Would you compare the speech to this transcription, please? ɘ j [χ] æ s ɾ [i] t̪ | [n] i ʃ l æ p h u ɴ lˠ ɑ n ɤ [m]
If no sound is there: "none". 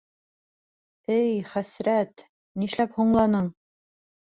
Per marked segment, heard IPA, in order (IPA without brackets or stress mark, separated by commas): χ, æ, n, ɴ